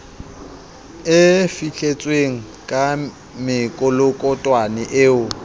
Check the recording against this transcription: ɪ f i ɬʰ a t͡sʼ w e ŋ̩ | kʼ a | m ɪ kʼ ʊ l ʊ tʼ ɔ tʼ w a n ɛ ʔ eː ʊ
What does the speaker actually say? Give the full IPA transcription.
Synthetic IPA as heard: ɪ f i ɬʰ e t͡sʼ w e ŋ̩ | kʼ a | m ɪ kʼ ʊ l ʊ kʼ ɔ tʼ w a n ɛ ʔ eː ʊ

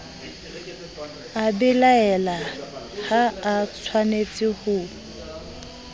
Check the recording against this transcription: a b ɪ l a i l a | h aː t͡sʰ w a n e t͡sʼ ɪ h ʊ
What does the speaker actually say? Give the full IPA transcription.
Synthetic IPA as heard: a b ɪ l a ɛ l a | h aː t͡sʰ w a n e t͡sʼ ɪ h ʊ

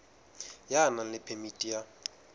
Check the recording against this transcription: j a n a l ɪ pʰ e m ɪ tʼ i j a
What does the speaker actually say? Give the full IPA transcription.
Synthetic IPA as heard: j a n a l ɪ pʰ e m i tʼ i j a

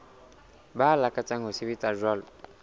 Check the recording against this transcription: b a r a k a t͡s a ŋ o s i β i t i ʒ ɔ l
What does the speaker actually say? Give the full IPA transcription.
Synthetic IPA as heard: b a l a k a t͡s a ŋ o s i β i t a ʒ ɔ l

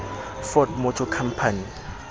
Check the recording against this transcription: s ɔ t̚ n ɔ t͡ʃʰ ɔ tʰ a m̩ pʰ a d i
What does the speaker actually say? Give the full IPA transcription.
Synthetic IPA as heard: f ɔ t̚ m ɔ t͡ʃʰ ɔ kʰ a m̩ pʰ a n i

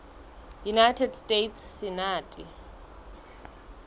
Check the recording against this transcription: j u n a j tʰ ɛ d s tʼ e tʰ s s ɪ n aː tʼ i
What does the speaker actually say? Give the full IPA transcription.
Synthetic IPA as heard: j u n a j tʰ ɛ d s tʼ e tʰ s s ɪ n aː tʼ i

